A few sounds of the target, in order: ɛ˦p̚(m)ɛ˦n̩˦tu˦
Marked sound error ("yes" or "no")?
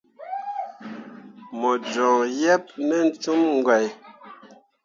yes